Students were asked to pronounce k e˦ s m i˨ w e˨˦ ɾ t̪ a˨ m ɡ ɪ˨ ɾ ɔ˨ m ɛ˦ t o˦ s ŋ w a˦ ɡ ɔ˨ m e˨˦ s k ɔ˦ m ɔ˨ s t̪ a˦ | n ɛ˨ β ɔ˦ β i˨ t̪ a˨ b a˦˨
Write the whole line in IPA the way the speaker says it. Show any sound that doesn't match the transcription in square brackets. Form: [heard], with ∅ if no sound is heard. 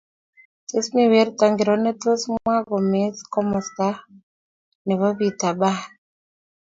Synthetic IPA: [t] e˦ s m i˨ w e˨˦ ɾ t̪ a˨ [ŋ] ɡ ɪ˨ ɾ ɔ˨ [n] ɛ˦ t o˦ s [m] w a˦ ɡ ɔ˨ m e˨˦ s k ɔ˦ m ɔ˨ s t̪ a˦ | n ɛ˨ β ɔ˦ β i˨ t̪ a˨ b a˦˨